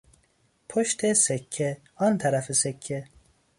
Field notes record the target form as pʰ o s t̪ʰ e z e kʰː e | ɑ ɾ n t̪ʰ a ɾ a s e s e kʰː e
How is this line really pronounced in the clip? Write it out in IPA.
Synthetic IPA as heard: pʰ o ʃ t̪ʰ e s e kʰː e | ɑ n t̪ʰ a ɾ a f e s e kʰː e